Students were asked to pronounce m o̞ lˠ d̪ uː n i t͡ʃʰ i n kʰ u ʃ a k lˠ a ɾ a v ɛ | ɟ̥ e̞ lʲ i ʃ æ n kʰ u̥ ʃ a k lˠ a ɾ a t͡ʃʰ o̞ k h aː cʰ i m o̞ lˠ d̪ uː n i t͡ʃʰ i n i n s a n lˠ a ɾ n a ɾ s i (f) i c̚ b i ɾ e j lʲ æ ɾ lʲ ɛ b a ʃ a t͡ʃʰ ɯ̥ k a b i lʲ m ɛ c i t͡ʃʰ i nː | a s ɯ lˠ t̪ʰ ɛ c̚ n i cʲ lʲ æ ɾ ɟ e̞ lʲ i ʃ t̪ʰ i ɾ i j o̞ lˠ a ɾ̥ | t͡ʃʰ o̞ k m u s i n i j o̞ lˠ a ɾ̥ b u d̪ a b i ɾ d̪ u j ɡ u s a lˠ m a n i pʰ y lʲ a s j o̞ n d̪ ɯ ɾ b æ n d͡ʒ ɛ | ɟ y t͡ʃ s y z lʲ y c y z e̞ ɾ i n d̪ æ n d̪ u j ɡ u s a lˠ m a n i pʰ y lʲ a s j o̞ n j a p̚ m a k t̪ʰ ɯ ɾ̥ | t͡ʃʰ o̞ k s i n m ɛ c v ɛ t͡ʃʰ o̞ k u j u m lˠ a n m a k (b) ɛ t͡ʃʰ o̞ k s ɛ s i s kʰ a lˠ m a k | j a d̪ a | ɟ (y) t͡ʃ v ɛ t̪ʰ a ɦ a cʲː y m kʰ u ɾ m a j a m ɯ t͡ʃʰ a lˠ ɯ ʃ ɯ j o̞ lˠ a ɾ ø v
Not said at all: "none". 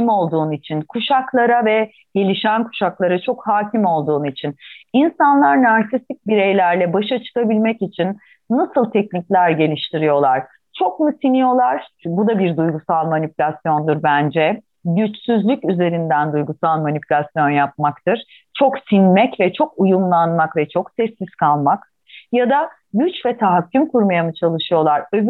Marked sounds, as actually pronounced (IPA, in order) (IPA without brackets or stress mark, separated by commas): s, v, y